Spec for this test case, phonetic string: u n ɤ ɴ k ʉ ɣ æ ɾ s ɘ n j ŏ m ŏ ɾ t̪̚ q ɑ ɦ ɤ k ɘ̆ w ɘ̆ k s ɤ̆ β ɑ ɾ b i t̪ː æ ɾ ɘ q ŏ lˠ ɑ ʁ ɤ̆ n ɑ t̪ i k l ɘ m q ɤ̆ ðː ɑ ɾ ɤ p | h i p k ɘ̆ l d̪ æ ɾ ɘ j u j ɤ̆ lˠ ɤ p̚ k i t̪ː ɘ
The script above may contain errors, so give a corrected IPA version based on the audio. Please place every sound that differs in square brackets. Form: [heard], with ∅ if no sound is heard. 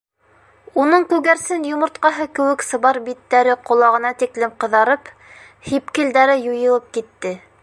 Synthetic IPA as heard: u n ɤ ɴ k ʉ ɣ æ ɾ s ɘ n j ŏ m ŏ ɾ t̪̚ q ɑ ɦ ɤ k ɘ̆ w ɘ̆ k s ɤ̆ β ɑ ɾ b i t̪ː æ ɾ ɘ q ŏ lˠ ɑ ʁ ɤ̆ n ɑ t̪ i k l ɘ m q ɤ̆ [ð] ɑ ɾ ɤ p | h i p k ɘ̆ l d̪ æ ɾ ɘ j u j ɤ̆ lˠ ɤ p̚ k i t̪ː ɘ